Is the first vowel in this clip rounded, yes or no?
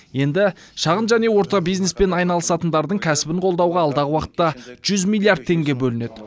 no